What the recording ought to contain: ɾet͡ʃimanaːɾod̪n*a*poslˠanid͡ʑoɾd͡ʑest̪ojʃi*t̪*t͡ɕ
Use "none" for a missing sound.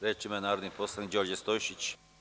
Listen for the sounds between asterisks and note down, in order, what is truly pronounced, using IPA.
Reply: i, none

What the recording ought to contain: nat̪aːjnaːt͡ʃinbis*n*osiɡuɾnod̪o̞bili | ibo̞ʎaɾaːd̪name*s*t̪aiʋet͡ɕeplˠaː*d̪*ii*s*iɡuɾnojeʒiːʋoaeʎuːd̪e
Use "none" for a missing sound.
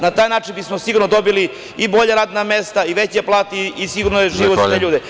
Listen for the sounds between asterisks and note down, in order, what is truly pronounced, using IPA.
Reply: m, s, t̪, s

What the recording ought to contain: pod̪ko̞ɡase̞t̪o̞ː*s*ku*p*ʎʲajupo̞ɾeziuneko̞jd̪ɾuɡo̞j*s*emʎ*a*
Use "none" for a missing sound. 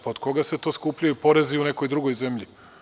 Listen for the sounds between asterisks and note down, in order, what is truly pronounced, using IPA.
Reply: s, p, z, i

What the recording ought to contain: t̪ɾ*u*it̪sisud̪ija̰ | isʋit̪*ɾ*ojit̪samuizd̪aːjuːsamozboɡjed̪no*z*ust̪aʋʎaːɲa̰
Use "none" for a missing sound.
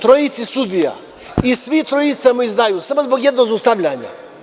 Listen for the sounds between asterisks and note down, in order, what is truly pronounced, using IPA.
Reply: o, ɾ, z

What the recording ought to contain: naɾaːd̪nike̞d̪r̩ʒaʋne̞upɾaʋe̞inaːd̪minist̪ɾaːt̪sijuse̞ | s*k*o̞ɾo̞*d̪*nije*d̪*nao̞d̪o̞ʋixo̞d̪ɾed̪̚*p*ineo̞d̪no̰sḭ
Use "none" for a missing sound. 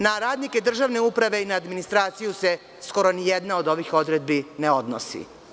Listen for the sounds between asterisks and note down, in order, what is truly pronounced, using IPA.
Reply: k, none, d̪, b

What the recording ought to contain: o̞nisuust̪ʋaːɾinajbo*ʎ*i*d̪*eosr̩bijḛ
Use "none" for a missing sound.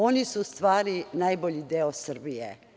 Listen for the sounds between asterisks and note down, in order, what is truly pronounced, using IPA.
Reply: ʎ, d̪

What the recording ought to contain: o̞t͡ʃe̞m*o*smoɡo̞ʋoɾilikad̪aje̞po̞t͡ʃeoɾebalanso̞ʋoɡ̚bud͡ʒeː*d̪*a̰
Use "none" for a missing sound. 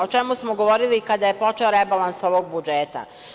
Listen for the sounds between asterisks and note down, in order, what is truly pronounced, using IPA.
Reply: u, t̪

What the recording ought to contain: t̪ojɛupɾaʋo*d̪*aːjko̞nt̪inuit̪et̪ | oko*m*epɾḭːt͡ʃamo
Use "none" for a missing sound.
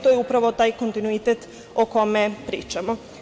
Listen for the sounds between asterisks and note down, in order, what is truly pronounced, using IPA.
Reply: t̪, m

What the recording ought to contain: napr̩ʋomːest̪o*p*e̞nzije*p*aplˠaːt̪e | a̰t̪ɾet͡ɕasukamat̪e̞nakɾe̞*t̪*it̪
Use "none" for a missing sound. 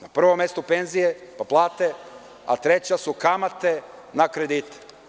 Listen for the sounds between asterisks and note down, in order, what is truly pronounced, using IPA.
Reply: p, p, d̪

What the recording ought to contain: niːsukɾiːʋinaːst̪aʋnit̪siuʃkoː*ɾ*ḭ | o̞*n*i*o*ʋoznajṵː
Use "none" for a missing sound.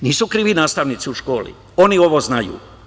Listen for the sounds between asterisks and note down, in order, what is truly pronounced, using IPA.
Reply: l, n, o

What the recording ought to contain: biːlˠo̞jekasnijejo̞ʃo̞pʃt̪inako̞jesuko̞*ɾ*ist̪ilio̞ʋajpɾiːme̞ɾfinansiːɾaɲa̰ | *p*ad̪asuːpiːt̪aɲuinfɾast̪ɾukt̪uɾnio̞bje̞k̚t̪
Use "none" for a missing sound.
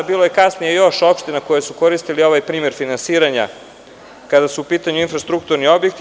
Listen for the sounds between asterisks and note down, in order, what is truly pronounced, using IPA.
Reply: ɾ, k

